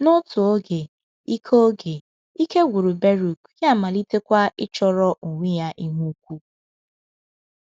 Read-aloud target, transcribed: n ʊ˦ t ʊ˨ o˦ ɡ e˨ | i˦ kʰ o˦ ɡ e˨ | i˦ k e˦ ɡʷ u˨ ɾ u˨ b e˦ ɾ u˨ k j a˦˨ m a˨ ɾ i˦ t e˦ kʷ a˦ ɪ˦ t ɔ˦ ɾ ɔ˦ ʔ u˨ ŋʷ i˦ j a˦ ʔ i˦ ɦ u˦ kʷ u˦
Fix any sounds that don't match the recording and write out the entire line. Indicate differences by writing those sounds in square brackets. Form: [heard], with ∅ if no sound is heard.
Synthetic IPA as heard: n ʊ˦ t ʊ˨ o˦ ɡ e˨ | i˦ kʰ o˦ ɡ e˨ | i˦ k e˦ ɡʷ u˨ ɾ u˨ b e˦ ɾ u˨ k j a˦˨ m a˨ [l] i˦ t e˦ kʷ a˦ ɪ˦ [t͡ʃ] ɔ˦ ɾ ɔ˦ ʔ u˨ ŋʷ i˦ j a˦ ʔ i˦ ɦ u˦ kʷ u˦